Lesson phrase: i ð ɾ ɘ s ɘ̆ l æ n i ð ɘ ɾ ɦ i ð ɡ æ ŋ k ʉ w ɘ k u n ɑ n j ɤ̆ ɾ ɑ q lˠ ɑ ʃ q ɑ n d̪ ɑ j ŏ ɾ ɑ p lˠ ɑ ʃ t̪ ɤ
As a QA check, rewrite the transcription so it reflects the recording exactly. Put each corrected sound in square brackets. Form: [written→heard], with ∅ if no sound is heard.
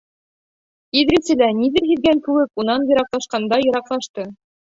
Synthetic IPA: i ð ɾ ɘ s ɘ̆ l æ n i ð ɘ ɾ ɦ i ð ɡ æ ŋ k ʉ w ɘ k u n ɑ n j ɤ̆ ɾ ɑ q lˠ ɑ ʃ q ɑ n d̪ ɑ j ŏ ɾ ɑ [p→q] lˠ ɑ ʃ t̪ ɤ